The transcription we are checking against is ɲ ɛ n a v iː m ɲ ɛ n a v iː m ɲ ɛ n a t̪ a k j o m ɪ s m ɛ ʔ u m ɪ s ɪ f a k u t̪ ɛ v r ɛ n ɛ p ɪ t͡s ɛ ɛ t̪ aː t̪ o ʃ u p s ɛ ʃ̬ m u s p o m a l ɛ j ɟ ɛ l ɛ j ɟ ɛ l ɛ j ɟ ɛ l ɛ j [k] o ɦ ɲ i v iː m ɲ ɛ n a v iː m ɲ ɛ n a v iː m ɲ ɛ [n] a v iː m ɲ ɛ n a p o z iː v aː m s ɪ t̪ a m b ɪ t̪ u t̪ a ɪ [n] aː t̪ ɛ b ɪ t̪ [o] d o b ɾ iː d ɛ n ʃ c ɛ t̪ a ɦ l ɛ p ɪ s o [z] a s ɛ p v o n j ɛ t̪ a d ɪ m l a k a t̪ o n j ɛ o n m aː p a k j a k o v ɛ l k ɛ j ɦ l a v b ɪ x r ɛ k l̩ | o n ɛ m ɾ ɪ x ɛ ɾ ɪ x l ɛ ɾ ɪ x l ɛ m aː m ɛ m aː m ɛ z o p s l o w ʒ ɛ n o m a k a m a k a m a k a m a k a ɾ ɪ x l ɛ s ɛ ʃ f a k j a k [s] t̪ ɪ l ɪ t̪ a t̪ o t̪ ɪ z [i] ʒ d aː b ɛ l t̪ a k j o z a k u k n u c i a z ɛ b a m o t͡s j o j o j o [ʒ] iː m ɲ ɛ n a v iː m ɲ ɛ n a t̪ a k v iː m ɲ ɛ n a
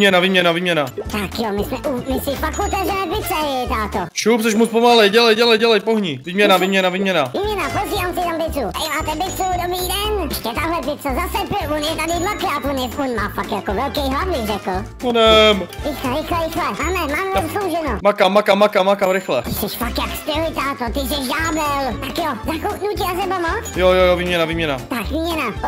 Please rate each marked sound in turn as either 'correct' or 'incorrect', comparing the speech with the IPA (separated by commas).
incorrect, correct, incorrect, incorrect, correct, correct, incorrect, incorrect